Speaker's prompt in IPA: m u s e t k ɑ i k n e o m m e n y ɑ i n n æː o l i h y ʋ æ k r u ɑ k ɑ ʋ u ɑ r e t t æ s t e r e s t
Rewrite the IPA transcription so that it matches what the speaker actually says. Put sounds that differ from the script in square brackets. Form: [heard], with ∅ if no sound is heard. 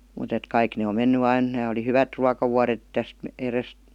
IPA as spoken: m u [t] e t k ɑ i k n e o m m e [nː] y ɑ i n n æː o l i h y ʋ æ [t] r u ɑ k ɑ ʋ u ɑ r e t t æ s t e r e s t